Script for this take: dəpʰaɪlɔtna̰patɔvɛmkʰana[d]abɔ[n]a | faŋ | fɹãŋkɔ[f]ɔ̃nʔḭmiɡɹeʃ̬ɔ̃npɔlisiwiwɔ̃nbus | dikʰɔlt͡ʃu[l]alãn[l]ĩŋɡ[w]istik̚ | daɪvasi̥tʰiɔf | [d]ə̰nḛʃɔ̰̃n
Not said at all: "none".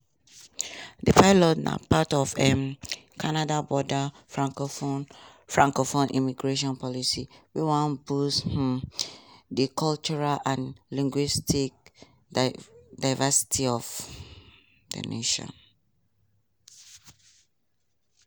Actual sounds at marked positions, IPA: d, d, f, ɹ, l, w, d

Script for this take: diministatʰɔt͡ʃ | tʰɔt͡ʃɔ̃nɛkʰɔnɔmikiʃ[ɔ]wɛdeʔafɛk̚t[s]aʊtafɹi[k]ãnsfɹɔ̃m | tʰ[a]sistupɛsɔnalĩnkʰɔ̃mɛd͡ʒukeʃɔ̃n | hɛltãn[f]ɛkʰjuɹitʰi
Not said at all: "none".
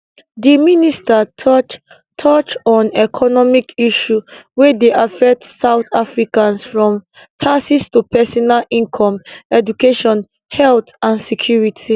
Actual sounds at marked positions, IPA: u, s, k, a, s

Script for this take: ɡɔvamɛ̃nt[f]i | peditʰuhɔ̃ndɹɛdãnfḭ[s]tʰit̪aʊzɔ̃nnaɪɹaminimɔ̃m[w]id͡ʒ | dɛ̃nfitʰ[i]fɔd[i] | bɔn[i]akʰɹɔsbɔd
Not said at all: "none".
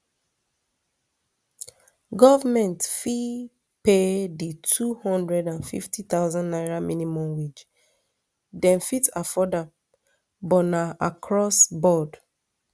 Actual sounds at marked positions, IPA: f, f, w, a, a, a

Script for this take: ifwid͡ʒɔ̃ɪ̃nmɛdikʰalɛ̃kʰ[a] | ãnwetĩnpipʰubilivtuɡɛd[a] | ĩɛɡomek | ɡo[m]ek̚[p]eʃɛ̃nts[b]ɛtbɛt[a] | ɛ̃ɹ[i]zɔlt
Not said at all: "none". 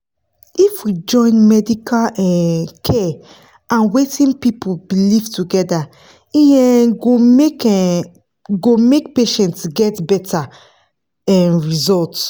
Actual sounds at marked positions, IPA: ɛ, a, m, p, ɡ, a, i

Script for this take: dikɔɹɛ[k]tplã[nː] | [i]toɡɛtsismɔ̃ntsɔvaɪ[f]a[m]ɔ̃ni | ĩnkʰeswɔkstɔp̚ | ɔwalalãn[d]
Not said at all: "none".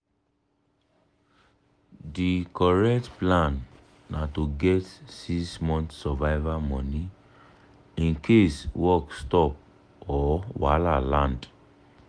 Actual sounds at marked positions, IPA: k, nː, a, v, m, d

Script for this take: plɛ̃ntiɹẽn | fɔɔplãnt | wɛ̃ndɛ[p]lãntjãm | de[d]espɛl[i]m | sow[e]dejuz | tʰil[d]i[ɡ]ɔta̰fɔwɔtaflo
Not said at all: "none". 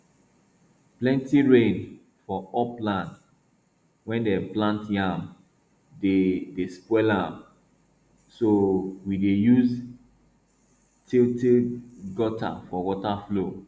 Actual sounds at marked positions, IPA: p, d, a, i, t, ɡ

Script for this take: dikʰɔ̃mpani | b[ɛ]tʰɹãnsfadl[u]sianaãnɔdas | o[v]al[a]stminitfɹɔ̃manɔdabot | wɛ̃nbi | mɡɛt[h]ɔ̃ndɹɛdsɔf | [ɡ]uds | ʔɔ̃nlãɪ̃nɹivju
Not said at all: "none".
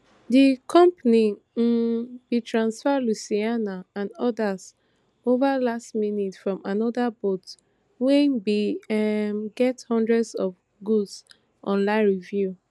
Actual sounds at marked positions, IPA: i, u, v, a, h, ɡ

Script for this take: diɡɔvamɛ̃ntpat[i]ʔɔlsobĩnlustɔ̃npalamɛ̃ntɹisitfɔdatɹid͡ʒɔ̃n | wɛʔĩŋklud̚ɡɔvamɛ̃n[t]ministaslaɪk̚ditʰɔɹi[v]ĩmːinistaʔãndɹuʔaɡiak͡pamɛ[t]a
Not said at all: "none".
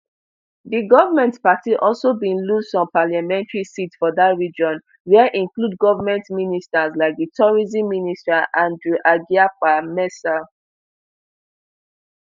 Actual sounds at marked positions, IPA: i, t, z, s

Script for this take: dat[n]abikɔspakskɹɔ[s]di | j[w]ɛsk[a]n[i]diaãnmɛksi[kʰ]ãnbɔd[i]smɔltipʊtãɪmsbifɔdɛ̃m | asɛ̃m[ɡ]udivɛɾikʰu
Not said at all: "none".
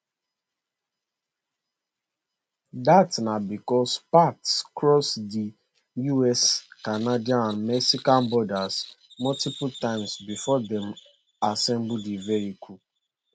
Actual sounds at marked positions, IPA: n, s, u, a, a, k, a, b

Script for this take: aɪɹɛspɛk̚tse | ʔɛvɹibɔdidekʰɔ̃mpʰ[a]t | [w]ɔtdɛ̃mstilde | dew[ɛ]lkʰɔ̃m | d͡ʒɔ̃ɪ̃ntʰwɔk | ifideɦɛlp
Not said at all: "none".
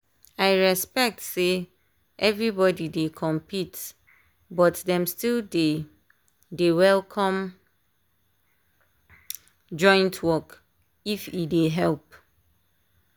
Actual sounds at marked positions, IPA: i, b, ɛ

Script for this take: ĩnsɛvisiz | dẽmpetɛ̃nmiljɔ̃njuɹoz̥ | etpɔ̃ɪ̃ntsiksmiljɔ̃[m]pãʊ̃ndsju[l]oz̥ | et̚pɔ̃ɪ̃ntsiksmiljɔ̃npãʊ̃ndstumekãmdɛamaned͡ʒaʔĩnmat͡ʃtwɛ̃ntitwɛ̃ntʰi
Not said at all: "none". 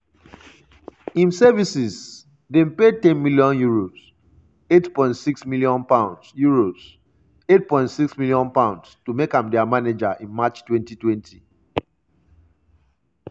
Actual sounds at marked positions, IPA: n, ɹ

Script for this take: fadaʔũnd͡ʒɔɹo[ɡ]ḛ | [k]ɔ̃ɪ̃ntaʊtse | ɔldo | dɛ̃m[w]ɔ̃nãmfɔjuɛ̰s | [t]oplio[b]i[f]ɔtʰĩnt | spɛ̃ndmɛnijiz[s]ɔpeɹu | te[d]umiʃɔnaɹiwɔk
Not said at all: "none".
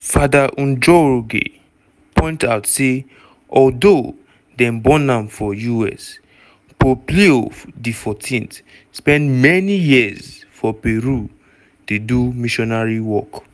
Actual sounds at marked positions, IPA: ɡ, p, b, p, d, f, f, d

